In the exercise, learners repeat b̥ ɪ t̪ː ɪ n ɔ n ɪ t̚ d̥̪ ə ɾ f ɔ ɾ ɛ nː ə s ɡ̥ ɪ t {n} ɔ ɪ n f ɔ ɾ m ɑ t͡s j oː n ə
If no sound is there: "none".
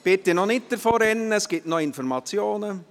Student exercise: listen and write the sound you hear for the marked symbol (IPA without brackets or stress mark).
n